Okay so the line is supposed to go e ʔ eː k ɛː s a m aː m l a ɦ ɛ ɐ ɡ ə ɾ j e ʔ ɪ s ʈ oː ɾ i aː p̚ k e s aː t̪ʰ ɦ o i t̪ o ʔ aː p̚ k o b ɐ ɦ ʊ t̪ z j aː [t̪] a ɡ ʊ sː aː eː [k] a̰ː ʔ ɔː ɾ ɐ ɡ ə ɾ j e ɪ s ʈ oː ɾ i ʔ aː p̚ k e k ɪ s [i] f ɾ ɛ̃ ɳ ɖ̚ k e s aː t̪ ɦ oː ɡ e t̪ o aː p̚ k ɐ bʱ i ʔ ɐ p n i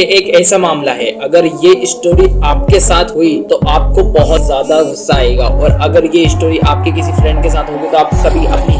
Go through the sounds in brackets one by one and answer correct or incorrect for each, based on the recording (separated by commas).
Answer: incorrect, incorrect, correct